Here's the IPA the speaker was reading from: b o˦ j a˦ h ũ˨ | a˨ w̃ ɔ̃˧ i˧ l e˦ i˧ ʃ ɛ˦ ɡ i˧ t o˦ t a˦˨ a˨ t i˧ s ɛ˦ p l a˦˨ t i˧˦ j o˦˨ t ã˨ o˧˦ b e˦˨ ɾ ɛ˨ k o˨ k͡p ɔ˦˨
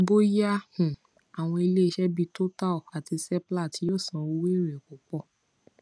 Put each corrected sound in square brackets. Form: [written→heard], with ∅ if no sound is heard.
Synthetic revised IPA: b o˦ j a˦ h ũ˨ | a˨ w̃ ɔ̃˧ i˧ l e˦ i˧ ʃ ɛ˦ [ɡ→b] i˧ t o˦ t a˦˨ a˨ t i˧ s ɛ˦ p l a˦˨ t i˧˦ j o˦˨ [t→s] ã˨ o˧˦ [b→w] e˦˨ ɾ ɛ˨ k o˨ k͡p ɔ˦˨